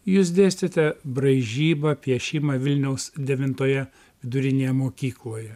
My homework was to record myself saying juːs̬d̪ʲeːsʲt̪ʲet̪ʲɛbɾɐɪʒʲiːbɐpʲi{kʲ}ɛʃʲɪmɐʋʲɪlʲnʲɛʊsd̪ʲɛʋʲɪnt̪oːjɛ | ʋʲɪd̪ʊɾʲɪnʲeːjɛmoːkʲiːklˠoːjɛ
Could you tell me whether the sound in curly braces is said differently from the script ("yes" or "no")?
yes